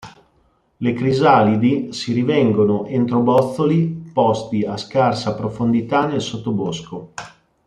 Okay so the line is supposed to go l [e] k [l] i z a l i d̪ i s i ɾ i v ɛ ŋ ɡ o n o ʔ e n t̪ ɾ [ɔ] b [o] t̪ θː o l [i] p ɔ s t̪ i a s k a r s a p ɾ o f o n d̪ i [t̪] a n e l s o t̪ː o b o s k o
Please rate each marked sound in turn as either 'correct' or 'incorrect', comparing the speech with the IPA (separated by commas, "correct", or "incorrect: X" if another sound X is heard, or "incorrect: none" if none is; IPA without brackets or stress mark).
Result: correct, incorrect: ɾ, incorrect: o, incorrect: ɔ, correct, correct